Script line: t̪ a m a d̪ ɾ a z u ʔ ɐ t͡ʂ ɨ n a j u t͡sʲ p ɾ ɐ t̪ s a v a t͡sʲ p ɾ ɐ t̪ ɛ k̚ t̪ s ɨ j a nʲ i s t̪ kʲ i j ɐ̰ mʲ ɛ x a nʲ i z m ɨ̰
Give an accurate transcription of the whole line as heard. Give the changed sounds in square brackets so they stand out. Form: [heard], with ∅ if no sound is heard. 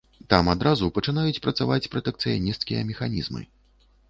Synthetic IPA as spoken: t̪ a m a d̪ ɾ a z u [p] ɐ t͡ʂ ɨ n a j u t͡sʲ p ɾ ɐ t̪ s a v a t͡sʲ p ɾ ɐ t̪ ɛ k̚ t̪ s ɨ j a nʲ i s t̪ kʲ i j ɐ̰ mʲ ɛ x a nʲ i z m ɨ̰